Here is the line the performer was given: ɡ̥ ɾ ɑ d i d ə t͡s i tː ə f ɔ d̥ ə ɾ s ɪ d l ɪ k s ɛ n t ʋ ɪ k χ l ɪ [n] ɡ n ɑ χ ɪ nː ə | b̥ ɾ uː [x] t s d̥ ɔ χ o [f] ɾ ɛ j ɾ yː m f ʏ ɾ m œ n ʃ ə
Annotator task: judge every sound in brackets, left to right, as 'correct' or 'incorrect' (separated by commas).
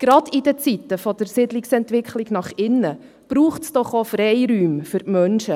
incorrect, incorrect, correct